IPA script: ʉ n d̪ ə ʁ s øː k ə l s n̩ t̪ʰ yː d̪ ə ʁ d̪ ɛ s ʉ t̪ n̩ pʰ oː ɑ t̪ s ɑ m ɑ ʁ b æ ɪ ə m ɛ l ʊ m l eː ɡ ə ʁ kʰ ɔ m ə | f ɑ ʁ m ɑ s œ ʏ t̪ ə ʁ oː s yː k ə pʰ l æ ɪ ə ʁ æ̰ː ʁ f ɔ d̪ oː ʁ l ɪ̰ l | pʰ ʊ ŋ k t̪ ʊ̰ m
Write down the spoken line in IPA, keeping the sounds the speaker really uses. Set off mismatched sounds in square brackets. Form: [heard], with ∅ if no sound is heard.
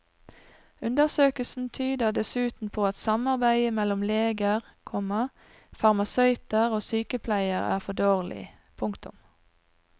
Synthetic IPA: ʉ n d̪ ə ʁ s øː k ə l s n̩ t̪ʰ yː d̪ ə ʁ d̪ ɛ s [ʉː] t̪ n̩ pʰ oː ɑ t̪ s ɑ m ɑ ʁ b æ ɪ ə m ɛ l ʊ m l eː ɡ ə ʁ kʰ ɔ m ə | f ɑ ʁ m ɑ s œ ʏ t̪ ə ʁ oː s yː k ə pʰ l æ ɪ ə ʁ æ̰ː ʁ f ɔ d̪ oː ʁ l ɪ̰ [∅] | pʰ ʊ ŋ k t̪ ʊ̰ m